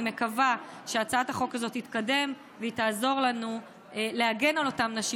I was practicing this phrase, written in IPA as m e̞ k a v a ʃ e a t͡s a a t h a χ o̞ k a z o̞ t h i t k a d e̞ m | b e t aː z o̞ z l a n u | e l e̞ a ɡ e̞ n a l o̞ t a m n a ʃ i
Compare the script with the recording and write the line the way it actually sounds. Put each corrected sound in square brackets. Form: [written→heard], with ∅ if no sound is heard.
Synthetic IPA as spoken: m e̞ k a v a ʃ e a t͡s a a t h a χ o̞ k a z o̞ t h i t k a d e̞ m | [b→v] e t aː z o̞ [z→ʁ] l a n u | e l e̞ a ɡ e̞ n a l o̞ t a m n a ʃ i